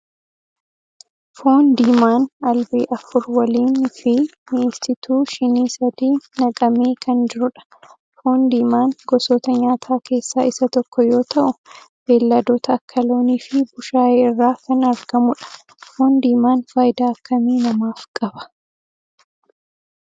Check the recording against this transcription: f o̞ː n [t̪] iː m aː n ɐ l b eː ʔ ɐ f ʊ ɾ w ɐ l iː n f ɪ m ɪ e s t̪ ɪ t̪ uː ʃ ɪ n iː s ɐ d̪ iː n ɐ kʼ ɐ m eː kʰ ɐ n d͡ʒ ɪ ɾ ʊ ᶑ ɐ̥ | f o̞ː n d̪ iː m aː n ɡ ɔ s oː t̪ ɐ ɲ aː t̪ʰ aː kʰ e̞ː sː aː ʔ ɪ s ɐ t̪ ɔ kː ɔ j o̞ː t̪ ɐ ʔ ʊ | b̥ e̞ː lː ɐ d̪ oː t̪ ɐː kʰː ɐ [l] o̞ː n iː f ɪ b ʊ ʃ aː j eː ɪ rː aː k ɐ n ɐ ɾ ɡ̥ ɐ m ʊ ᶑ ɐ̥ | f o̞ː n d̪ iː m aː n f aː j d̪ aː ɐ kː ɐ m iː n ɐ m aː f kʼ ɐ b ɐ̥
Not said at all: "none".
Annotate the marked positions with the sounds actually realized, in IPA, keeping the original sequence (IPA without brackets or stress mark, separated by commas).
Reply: d̪, l